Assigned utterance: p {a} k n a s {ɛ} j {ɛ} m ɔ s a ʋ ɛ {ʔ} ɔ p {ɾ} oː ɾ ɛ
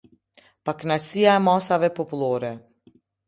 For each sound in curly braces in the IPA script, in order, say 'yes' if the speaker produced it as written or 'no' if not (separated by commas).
yes, no, no, no, no